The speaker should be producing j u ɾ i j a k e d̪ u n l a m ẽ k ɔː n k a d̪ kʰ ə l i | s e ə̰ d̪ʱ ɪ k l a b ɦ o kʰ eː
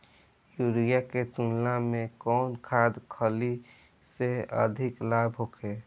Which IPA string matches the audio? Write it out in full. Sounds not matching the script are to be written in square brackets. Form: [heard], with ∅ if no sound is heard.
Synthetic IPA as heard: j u ɾ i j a k e [t̪] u n l a m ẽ k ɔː n [kʰ] a d̪ kʰ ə l i | s e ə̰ d̪ʱ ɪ k l a b ɦ o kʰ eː

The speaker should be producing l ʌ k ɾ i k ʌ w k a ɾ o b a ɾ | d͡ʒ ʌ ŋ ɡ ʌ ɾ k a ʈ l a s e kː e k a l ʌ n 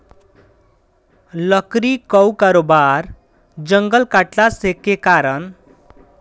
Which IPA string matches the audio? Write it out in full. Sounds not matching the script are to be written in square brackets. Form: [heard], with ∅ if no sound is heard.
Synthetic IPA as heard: l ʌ k ɾ i k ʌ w k a ɾ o b a ɾ | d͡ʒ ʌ ŋ ɡ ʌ [l] k a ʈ l a s e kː e k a [ɾ] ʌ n

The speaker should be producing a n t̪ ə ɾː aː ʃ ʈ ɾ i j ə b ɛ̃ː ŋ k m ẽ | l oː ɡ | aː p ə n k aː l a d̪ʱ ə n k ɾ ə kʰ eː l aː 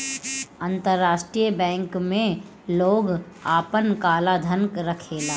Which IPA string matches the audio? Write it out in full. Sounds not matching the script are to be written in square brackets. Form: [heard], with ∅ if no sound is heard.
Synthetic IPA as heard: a n t̪ ə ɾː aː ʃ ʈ ɾ i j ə b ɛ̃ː ŋ k m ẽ | l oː ɡ | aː p ə n k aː l a d̪ʱ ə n k ɾ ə kʰ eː l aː

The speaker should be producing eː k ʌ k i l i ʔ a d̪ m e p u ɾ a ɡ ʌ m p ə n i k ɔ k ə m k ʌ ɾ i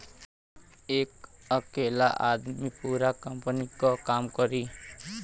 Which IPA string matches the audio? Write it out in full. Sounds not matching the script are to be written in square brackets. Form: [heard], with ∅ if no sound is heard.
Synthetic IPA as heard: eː k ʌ k [e] l [a] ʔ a d̪ m [i] p u ɾ a [k] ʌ m p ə n i k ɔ k [a] m k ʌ ɾ i

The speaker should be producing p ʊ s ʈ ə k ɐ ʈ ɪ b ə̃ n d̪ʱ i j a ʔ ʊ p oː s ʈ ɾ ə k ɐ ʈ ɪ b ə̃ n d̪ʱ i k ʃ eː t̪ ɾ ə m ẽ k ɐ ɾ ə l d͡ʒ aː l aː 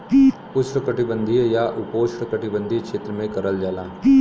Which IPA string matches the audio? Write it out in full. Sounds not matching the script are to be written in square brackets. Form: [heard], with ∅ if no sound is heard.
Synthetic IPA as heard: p ʊ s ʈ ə k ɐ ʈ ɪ b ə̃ n d̪ʱ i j a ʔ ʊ p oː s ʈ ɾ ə k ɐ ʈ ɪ b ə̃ n d̪ʱ i k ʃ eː t̪ ɾ ə m ẽ k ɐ ɾ ə l d͡ʒ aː l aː

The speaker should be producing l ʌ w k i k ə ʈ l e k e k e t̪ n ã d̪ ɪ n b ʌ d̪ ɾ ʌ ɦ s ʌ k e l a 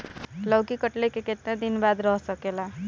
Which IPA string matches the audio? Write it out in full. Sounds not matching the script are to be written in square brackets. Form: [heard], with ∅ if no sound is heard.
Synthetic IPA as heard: l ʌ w k i k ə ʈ l e k e k e t̪ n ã d̪ [i] n b [a] d̪ ɾ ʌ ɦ s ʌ k e l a

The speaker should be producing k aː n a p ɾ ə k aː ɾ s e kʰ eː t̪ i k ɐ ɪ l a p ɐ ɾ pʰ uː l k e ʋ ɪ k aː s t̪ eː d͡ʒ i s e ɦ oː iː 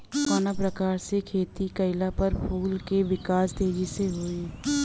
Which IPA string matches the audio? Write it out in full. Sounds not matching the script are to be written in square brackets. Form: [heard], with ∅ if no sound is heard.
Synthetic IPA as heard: k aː n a p ɾ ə k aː ɾ s e kʰ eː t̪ i k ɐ ɪ l a p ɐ ɾ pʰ uː l k e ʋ ɪ k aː s t̪ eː d͡ʒ i s e ɦ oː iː

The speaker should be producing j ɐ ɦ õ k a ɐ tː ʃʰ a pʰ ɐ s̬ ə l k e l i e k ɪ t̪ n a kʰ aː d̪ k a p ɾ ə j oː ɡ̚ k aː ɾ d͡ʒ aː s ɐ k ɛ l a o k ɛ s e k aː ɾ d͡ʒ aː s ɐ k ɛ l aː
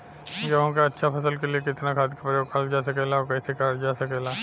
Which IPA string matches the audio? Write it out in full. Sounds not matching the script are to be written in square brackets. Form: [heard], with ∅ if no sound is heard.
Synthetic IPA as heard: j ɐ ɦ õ k a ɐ tː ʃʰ a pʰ ɐ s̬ ə l k e l i e k ɪ t̪ n a kʰ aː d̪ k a p ɾ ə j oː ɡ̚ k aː [l] d͡ʒ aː s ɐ k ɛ l a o k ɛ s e k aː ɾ d͡ʒ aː s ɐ k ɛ l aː

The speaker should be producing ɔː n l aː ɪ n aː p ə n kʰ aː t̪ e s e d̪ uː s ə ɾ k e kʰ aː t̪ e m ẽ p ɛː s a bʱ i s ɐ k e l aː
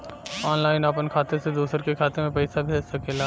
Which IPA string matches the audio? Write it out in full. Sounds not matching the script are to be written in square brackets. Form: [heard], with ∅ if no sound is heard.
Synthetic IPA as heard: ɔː n l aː ɪ n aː p ə n kʰ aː t̪ e s e d̪ uː s ə ɾ k e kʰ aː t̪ e m ẽ p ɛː s a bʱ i s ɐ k e l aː

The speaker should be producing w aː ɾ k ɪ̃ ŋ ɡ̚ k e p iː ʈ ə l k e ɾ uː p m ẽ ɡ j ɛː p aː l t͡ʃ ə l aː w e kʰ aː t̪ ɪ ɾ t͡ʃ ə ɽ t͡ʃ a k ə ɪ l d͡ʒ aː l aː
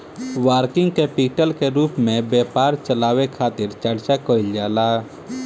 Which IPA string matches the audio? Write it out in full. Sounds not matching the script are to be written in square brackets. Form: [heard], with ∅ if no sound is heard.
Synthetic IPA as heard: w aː ɾ k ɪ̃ ŋ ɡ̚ k e p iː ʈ ə l k e ɾ uː p m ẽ [b] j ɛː p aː [ɾ] t͡ʃ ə l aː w e kʰ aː t̪ ɪ ɾ t͡ʃ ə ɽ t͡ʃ a k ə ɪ l d͡ʒ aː l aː

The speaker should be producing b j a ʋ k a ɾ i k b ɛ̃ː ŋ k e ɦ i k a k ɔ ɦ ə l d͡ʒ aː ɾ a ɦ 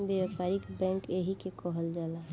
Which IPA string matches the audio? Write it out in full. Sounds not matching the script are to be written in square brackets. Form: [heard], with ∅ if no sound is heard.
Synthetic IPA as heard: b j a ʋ [p] a ɾ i k b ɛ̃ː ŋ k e ɦ i k [e] k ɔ ɦ ə l d͡ʒ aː [l] a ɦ

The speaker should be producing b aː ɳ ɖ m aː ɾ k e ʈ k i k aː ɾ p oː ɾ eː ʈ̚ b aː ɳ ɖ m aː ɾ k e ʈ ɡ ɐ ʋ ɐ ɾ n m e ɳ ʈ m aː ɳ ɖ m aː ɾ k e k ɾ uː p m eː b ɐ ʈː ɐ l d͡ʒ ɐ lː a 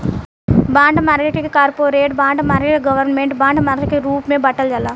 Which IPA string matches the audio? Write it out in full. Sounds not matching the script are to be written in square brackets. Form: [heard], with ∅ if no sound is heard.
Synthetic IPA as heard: b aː ɳ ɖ m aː ɾ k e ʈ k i k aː ɾ p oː ɾ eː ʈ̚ b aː ɳ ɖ m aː ɾ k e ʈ ɡ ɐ ʋ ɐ ɾ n m e ɳ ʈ [b] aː ɳ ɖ m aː ɾ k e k ɾ uː p m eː b ɐ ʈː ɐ l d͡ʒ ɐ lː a

